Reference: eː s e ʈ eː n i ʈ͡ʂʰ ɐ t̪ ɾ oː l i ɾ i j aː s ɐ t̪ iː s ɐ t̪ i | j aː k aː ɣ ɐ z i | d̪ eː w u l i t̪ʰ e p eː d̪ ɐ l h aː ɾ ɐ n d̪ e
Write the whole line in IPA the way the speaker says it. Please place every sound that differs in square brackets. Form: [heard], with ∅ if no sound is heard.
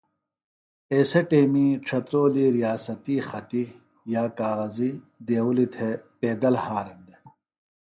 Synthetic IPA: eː s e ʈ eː [m] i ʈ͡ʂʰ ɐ t̪ ɾ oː l i ɾ i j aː s ɐ t̪ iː [x] ɐ t̪ i | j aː k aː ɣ ɐ z i | d̪ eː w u l i t̪ʰ e p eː d̪ ɐ l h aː ɾ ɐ n d̪ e